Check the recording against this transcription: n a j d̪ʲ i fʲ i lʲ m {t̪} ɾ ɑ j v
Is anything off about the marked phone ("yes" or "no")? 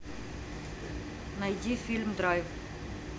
yes